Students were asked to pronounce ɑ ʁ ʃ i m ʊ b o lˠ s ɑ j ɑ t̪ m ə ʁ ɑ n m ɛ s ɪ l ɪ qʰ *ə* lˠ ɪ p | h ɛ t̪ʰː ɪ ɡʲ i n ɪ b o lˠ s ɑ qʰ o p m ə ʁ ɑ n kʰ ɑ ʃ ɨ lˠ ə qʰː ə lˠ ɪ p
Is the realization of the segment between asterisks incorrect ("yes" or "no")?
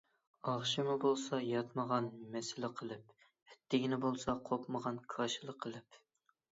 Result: no